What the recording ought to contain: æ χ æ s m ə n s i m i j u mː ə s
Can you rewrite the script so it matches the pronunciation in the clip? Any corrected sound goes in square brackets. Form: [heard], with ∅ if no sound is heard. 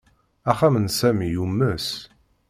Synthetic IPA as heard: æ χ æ [∅] m ə n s [æ] m i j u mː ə s